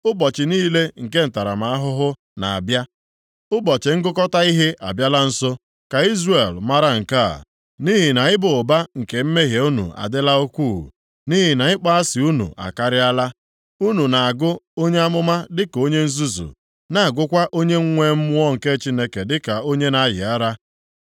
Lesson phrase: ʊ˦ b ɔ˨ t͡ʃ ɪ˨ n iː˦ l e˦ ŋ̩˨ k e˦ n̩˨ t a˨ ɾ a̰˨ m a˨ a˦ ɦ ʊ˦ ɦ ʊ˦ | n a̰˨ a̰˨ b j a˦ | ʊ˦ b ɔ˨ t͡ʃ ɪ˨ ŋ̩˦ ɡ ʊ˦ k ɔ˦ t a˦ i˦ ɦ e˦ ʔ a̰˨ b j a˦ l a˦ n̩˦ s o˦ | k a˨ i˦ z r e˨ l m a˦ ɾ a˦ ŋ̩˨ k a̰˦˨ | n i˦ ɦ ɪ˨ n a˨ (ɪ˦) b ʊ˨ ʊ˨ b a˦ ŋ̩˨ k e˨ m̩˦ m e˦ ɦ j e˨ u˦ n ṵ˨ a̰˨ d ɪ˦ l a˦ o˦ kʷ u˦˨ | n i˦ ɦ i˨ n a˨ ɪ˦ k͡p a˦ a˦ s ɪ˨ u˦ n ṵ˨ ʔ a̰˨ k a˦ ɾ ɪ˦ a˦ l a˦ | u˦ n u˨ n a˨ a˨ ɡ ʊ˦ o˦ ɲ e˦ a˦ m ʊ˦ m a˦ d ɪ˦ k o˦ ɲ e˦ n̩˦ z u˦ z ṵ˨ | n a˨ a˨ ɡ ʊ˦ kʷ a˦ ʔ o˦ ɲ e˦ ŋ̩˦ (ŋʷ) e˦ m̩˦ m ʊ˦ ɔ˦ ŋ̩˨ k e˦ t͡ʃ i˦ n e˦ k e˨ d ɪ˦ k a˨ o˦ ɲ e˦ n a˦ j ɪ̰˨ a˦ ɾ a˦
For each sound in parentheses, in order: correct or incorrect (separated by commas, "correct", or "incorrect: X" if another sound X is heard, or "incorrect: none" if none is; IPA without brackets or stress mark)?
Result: correct, correct